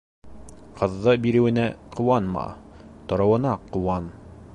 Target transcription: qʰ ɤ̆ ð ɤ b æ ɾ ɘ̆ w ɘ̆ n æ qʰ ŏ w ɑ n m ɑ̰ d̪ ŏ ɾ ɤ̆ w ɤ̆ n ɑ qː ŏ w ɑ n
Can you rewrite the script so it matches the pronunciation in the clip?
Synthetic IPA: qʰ ɤ̆ ðː ɤ b i ɾ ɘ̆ w ɘ̆ n æ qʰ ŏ w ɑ n m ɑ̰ t̪ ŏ ɾ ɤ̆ w ɤ̆ n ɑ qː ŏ w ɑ n